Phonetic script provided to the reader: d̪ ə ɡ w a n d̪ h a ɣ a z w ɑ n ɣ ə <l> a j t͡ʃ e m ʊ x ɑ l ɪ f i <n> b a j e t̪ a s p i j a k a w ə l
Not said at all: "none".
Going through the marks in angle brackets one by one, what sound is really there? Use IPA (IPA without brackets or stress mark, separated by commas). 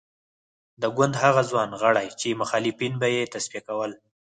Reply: ɽ, n